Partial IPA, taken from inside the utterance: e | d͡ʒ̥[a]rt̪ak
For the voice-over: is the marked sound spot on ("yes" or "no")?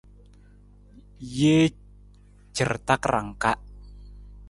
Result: no